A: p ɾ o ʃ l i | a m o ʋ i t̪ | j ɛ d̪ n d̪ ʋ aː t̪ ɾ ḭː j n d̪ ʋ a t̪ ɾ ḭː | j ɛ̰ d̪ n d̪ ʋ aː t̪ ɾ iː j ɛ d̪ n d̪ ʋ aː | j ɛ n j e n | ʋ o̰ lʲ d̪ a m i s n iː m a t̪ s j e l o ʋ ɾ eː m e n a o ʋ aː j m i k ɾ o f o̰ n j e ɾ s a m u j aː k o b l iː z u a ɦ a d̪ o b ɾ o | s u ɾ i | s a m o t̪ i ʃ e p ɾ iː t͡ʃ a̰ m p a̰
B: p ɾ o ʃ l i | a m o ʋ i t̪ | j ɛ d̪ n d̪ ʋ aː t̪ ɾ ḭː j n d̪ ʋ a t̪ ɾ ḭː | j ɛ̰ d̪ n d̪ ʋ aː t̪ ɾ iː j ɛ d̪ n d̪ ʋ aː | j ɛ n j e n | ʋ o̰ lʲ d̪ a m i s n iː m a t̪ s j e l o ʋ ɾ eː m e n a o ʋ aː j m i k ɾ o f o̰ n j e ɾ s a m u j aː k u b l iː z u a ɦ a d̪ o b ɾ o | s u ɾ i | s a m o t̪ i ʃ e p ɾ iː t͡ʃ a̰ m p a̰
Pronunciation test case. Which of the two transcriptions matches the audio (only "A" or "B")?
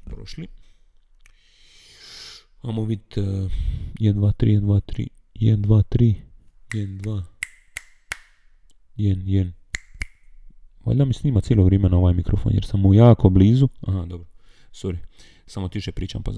A